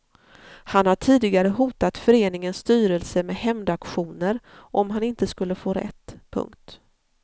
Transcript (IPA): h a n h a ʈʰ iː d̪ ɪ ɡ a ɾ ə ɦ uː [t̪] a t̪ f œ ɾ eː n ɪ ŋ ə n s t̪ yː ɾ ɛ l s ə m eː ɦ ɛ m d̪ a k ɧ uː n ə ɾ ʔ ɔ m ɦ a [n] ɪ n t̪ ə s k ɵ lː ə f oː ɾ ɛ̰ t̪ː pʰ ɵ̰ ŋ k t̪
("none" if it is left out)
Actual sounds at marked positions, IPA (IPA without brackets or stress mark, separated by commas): t̪, n